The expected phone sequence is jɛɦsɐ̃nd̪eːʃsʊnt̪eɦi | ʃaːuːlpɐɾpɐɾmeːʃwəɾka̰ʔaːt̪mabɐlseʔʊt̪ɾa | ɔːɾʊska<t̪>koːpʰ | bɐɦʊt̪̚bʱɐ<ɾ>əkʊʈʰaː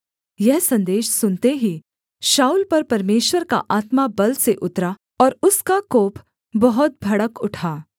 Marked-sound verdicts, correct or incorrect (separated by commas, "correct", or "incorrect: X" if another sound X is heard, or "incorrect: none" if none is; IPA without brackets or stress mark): incorrect: none, incorrect: ɽ